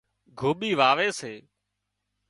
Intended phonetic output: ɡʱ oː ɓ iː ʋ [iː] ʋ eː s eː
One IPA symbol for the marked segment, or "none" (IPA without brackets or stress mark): aː